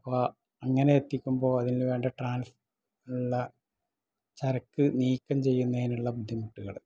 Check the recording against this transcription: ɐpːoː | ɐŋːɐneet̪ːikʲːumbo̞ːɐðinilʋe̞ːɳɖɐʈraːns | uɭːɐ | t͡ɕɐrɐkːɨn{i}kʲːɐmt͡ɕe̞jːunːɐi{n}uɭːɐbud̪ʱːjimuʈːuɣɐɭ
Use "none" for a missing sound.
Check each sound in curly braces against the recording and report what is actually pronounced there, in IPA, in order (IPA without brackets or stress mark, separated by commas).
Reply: iː, n